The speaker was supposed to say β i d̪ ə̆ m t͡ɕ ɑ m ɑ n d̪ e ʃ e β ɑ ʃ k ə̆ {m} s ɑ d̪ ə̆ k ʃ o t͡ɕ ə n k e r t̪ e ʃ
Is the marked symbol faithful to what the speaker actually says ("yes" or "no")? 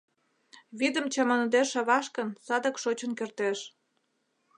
no